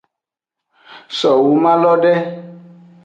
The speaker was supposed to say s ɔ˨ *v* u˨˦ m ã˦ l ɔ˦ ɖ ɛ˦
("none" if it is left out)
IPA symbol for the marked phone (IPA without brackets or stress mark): w